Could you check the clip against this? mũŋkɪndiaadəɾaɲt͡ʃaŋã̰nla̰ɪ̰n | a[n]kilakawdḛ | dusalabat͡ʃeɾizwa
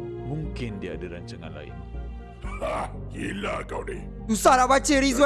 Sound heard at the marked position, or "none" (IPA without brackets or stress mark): none